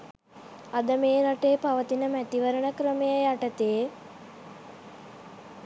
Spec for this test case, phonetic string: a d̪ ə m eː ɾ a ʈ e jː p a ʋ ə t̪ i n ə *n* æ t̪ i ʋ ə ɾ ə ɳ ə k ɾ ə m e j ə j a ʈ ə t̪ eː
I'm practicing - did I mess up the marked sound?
yes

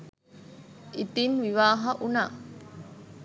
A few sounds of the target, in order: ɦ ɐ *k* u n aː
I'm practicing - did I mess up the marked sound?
yes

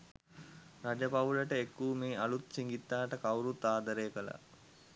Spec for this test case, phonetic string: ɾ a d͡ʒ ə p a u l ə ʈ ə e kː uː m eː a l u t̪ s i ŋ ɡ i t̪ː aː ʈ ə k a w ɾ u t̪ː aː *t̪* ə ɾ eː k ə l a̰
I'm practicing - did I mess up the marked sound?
yes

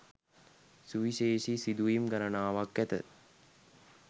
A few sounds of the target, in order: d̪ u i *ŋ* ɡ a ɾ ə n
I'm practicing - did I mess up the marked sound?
yes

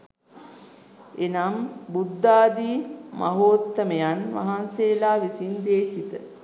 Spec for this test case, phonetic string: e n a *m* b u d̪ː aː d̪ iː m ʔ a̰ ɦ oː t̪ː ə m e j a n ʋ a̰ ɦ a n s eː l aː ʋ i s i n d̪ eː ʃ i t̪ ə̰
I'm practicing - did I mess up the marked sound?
no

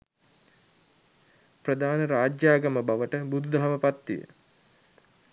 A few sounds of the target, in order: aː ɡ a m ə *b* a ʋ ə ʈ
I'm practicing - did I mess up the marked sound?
no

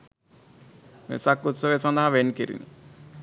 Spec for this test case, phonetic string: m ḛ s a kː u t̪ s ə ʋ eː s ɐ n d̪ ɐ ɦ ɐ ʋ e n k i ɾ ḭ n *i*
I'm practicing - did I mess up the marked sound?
no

